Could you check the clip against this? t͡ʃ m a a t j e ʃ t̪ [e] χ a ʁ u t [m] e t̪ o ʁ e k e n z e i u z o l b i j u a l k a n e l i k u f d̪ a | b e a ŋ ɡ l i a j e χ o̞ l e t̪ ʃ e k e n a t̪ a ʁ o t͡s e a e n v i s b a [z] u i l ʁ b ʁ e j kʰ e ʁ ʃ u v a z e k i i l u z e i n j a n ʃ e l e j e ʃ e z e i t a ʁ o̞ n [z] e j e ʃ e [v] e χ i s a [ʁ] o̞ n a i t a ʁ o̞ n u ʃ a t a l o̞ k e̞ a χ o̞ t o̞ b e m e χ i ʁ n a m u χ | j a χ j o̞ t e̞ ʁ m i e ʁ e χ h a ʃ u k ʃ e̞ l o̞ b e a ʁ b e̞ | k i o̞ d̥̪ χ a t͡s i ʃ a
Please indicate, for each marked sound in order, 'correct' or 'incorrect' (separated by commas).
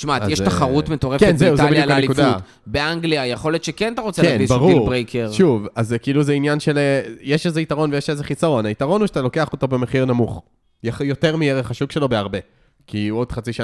incorrect, correct, incorrect, incorrect, incorrect, correct